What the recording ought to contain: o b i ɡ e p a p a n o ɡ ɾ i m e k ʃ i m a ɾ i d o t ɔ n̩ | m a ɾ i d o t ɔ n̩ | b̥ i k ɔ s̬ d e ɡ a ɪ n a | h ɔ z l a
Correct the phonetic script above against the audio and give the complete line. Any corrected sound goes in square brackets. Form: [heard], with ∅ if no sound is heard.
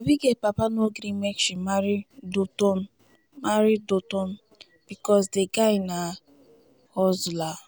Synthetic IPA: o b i ɡ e p a p a n o ɡ ɾ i m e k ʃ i m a ɾ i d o t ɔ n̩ | m a ɾ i d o t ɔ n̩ | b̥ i k ɔ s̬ d e ɡ a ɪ n a | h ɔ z l a